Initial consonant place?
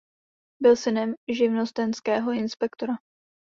labial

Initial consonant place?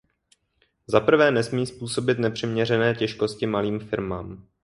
alveolar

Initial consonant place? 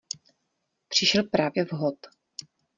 labial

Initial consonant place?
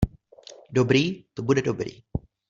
alveolar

